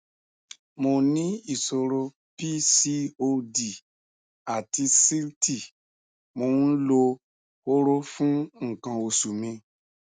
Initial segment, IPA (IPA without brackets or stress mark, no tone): m